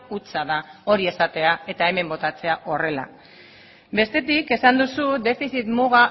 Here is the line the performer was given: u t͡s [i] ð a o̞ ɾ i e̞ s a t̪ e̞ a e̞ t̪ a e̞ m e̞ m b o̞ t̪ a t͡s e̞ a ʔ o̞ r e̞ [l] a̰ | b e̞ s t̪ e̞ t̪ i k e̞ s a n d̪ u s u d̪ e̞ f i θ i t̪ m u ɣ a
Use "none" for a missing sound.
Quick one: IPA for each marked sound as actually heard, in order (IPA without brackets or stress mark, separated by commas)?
a, l